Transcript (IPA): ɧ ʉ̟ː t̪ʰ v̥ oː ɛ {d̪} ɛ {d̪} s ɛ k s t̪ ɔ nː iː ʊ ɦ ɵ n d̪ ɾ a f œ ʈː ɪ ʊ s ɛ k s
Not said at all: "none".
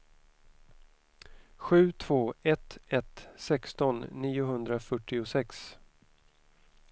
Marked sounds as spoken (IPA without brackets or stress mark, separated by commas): t̪, t̪